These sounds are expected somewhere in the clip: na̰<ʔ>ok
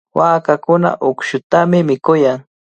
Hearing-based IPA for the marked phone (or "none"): ʔ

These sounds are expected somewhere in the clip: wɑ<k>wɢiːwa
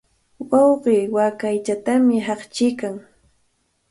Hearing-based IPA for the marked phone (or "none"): none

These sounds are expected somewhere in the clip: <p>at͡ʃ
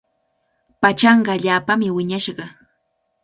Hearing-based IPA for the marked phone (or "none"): p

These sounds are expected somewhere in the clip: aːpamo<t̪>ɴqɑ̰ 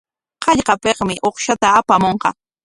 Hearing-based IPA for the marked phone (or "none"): none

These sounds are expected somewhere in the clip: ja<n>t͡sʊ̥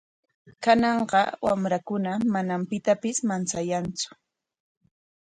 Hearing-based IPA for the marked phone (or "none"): n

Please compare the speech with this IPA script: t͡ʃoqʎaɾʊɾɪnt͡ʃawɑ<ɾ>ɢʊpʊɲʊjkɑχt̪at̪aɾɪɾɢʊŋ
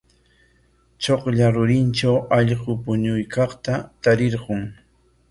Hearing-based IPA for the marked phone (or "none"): ʎ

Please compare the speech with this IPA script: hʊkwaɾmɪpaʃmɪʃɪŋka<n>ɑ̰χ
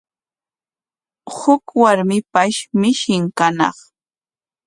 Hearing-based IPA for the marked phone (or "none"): n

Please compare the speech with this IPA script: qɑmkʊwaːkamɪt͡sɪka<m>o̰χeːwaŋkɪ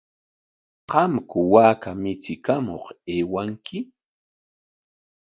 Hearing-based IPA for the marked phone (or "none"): m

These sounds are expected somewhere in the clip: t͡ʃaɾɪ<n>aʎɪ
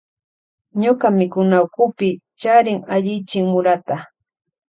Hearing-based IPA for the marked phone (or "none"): ŋ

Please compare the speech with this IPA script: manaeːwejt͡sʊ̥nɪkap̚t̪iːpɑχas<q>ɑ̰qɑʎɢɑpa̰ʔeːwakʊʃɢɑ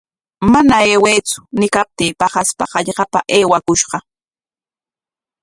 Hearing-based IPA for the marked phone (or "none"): p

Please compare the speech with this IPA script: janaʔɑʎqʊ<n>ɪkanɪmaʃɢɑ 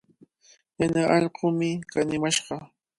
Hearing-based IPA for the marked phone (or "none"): m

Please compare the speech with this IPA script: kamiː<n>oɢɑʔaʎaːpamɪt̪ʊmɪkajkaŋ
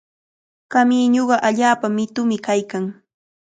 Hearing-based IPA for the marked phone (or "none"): ɲ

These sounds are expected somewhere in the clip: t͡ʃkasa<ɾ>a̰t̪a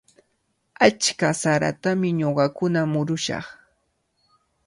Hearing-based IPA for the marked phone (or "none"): ɾ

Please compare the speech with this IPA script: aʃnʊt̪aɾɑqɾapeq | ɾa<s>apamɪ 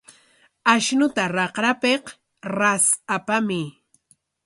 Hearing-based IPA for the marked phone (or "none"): s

